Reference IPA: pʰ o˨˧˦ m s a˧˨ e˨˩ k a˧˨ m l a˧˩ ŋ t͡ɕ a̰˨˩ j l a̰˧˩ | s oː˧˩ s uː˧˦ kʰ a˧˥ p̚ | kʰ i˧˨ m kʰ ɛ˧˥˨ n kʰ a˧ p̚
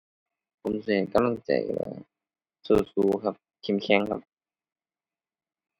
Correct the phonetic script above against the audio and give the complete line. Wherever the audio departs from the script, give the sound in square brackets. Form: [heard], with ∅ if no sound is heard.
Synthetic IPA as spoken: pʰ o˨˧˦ m s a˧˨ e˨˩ k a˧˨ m l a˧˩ ŋ t͡ɕ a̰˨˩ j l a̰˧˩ | s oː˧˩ s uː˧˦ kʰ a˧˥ p̚ | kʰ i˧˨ m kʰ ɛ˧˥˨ [ŋ] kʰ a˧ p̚

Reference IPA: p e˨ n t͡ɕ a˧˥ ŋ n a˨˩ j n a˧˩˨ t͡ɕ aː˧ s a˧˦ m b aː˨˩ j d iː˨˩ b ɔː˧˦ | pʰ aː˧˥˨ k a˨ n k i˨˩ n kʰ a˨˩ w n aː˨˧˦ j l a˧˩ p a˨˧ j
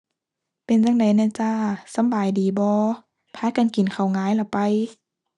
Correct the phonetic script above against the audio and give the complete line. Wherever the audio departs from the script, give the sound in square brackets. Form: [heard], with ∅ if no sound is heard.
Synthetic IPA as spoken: p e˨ n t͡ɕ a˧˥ ŋ [d] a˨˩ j n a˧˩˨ t͡ɕ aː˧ s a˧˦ m b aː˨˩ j d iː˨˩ b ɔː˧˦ | pʰ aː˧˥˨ k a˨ n k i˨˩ n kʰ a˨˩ w [ŋ] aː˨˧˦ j l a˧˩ p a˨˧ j

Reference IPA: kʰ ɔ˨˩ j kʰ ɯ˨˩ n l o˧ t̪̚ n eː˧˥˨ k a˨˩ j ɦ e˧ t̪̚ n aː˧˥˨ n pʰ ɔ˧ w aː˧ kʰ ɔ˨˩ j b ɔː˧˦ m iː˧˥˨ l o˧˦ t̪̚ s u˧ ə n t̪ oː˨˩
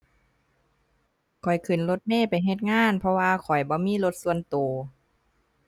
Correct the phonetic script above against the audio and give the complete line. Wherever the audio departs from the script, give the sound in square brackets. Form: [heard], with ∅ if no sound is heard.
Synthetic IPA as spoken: kʰ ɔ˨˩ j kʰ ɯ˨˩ n l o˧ t̪̚ n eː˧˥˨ [p] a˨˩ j ɦ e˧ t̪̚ [ŋ] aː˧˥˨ n pʰ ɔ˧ w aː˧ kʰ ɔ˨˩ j b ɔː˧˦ m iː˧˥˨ l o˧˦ t̪̚ s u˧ ə n t̪ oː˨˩

